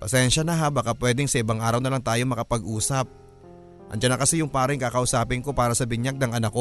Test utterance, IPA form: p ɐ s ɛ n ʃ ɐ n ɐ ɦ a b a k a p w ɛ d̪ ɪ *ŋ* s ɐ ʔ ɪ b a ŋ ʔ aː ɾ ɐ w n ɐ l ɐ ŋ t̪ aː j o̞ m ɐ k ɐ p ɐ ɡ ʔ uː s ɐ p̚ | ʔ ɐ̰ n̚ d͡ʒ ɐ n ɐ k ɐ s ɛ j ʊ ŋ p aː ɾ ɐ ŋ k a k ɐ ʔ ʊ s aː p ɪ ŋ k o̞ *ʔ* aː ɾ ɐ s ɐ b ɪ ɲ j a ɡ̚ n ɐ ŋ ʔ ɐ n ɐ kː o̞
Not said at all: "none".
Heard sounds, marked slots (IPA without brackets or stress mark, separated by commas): ŋ, p